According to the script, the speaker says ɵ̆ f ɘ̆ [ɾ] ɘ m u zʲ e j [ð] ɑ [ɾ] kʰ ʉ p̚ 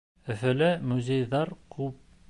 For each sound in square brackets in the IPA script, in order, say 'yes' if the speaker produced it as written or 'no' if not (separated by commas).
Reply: no, yes, yes